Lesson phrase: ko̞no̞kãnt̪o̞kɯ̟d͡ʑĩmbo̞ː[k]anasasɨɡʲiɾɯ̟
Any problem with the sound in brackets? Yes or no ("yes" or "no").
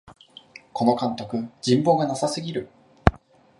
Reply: yes